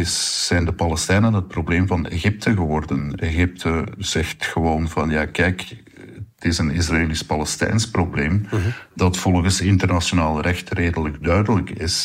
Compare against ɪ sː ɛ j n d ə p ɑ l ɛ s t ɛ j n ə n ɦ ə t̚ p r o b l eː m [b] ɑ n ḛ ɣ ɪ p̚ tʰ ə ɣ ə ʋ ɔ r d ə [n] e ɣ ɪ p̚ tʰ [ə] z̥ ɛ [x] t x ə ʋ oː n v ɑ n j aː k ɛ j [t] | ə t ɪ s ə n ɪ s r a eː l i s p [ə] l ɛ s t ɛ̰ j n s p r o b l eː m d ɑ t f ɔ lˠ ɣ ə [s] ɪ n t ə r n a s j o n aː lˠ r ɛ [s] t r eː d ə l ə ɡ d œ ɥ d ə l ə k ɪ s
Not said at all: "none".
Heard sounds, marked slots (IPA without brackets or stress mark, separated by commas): v, n, ə, x, k, ɑ, s, x